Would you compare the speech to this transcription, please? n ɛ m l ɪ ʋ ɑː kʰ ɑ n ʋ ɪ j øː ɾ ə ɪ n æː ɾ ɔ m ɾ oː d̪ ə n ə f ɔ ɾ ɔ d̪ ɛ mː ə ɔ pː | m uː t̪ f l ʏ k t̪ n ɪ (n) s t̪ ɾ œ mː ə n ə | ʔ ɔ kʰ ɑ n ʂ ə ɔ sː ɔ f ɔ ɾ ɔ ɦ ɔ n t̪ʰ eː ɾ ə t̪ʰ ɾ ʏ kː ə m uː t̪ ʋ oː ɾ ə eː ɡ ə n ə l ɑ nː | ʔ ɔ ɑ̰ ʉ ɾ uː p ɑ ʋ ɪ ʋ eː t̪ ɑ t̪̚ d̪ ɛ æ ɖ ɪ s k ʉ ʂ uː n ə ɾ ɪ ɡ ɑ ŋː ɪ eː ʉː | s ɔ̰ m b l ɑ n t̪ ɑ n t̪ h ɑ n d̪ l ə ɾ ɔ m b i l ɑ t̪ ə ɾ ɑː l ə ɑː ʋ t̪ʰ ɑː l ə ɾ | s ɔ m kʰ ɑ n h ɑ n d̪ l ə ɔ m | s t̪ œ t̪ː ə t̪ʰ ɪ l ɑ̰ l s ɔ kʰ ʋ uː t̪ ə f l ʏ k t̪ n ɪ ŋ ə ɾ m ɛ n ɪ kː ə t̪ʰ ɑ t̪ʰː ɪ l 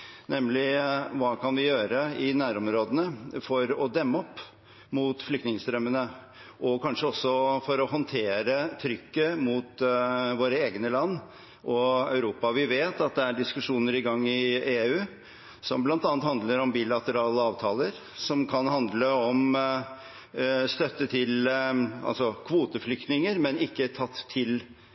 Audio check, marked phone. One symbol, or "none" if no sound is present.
ŋ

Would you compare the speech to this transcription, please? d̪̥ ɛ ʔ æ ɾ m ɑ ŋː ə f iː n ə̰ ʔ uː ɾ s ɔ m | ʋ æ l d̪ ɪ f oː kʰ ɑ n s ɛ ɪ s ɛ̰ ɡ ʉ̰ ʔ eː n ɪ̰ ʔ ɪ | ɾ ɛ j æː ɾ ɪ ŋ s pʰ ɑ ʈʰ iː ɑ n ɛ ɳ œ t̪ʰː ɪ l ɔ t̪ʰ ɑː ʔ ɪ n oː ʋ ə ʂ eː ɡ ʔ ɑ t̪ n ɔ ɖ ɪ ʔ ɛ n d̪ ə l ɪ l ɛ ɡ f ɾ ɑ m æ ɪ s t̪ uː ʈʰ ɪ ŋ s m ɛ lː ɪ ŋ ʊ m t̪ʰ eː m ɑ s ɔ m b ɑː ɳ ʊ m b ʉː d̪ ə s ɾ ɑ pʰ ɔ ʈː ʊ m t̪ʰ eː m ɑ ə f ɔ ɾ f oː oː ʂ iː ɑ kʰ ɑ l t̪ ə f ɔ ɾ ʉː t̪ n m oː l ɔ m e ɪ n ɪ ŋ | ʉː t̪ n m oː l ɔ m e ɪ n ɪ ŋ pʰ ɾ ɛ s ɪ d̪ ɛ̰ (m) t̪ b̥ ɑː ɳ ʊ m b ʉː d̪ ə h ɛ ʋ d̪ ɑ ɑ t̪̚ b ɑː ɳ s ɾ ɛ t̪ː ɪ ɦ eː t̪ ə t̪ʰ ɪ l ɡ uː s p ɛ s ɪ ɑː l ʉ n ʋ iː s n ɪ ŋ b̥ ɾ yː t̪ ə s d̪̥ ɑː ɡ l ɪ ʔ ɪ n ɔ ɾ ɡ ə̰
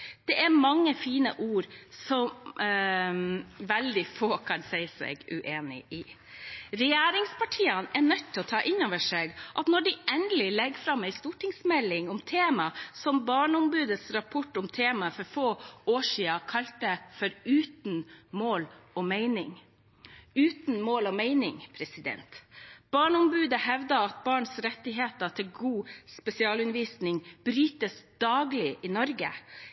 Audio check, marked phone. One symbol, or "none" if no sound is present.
n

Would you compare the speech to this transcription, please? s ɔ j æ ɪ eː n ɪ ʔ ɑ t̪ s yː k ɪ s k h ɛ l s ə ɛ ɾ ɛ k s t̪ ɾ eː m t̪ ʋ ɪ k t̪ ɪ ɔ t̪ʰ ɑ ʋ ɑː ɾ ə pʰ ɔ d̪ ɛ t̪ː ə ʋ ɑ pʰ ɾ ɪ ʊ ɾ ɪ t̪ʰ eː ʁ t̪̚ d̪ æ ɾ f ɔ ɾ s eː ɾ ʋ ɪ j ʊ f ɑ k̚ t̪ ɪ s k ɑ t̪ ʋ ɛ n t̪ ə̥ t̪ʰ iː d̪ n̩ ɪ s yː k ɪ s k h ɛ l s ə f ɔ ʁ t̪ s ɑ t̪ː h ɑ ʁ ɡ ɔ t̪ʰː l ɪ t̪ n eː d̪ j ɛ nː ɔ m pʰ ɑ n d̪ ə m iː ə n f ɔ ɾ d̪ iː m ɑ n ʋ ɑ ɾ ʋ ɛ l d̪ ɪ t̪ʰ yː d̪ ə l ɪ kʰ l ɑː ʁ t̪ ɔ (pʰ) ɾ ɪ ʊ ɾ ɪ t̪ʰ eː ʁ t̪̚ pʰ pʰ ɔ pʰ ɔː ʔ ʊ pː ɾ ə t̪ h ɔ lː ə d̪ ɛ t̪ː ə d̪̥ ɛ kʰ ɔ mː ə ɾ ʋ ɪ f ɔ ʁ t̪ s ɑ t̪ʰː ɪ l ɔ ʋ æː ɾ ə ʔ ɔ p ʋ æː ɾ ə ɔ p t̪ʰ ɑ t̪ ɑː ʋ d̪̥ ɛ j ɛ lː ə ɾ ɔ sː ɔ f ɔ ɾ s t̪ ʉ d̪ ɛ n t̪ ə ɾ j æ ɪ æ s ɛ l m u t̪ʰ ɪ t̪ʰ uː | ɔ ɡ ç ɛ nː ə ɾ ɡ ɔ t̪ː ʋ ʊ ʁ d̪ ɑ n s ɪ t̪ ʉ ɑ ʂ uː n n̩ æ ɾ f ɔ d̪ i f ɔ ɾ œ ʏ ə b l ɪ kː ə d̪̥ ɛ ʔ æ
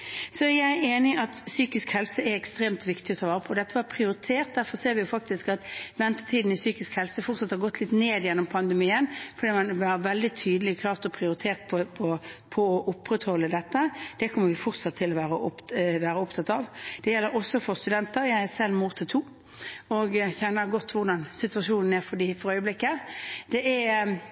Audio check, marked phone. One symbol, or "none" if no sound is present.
pʰ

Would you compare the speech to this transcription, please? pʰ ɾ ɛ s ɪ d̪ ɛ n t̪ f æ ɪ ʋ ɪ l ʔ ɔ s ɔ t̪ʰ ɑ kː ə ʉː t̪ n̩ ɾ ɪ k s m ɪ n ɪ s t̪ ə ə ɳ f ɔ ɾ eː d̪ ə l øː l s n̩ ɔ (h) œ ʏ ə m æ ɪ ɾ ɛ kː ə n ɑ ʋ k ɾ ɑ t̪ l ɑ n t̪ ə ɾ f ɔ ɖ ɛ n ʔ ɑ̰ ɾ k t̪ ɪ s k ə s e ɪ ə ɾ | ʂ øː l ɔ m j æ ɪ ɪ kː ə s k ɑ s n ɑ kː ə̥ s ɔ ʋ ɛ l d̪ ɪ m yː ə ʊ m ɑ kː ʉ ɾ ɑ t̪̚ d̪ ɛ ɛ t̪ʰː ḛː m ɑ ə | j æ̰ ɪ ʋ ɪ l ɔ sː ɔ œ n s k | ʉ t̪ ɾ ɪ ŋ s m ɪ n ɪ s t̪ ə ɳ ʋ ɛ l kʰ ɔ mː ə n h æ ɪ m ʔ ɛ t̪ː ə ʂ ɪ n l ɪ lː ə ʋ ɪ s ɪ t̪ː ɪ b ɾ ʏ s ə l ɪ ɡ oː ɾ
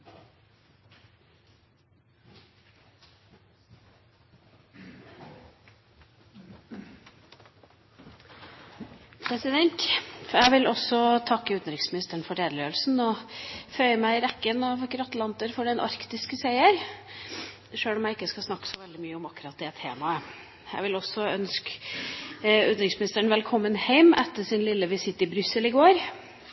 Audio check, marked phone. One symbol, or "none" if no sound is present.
f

